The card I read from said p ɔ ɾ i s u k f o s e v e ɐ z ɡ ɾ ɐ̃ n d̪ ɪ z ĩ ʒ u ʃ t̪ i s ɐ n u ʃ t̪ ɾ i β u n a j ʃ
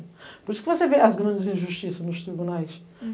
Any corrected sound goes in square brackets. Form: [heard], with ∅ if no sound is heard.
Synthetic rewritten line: p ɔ ɾ i s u k [v] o s e v e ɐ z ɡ ɾ ɐ̃ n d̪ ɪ z ĩ ʒ u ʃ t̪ i s ɐ n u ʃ t̪ ɾ i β u n a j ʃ